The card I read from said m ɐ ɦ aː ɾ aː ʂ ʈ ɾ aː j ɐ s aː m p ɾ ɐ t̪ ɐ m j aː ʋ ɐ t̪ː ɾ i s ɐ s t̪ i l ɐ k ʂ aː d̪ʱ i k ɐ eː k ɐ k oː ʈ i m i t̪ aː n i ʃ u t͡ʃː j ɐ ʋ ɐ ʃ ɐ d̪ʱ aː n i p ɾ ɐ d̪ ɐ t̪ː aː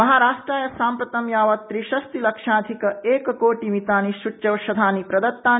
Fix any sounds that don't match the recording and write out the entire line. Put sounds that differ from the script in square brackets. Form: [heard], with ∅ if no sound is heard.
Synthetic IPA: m ɐ ɦ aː ɾ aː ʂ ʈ ɾ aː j ɐ s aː m p ɾ ɐ t̪ ɐ m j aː ʋ ɐ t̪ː ɾ i [ʃ] ɐ s t̪ i l ɐ k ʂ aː d̪ʱ i k ɐ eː k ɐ k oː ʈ i m i t̪ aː n i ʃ u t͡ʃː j ɐ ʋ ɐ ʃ ɐ d̪ʱ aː n i p ɾ ɐ d̪ ɐ t̪ː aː